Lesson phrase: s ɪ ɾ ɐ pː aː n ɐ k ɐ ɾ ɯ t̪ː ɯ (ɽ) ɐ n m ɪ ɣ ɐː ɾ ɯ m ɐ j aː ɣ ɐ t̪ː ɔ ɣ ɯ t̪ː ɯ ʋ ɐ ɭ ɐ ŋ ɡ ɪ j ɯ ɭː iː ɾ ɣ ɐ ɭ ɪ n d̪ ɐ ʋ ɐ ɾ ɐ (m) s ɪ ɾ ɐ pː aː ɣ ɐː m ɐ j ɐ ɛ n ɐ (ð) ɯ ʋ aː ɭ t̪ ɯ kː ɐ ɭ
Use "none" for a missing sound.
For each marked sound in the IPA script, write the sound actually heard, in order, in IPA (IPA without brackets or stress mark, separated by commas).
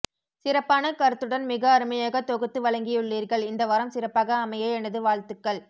ɽ, m, ð